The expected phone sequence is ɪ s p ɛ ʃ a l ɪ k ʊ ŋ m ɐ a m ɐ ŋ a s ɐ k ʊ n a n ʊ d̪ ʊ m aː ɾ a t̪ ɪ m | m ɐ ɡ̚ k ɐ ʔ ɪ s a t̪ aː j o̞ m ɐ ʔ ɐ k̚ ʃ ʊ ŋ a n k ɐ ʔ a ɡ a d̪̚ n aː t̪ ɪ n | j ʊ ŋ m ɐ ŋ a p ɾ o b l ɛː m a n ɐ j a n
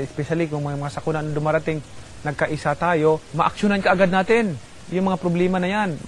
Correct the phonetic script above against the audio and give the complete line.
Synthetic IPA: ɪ s p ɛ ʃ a l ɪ k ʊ ŋ m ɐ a m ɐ ŋ a s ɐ k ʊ n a n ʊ d̪ ʊ m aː ɾ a t̪ ɪ ŋ | n ɐ ɡ̚ k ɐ ʔ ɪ s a t̪ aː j o̞ m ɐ ʔ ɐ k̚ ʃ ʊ n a n k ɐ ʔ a ɡ a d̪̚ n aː t̪ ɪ n | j ʊ ŋ m ɐ ŋ a p ɾ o b l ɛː m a n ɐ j a n